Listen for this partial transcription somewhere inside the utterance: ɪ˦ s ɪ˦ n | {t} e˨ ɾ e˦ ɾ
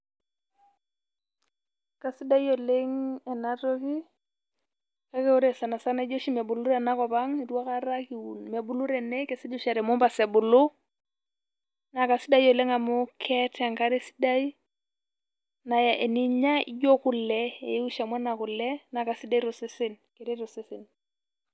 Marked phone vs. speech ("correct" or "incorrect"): incorrect